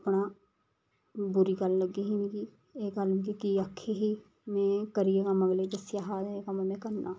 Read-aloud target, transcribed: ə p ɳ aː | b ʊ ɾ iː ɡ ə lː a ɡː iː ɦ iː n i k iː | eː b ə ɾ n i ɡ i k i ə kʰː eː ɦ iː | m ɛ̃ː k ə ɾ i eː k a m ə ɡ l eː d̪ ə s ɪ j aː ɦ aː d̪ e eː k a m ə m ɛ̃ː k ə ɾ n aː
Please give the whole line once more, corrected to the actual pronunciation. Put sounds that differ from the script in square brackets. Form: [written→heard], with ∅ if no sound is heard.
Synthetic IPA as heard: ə p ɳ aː | b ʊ ɾ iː ɡ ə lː [a→ə] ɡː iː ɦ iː n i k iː | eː [b→ɡ] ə [ɾ→l] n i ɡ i k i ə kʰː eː ɦ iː | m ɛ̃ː k ə ɾ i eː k a m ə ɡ l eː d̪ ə s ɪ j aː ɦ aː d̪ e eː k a m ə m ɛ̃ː k ə ɾ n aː